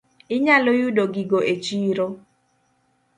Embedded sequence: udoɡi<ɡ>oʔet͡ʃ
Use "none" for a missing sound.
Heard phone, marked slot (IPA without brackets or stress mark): ɡ